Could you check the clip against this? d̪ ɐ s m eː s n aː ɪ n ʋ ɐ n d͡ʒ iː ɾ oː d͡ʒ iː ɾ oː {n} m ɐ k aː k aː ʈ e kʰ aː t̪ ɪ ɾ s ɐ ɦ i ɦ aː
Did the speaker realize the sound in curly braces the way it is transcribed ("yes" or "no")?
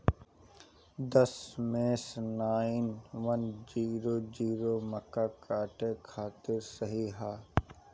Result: no